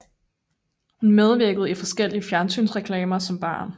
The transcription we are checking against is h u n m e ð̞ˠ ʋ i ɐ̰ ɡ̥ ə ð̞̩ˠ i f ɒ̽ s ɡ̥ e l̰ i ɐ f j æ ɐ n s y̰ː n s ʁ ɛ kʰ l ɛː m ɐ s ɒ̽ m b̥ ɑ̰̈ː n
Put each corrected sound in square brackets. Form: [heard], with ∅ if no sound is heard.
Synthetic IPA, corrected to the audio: h u n m e ð̞ˠ ʋ i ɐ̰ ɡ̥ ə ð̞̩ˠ i f ɒ̽ s ɡ̥ e l̰ i [ə] f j æ ɐ n s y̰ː n s ʁ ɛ kʰ l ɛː m ɐ s ɒ̽ m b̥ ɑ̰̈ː n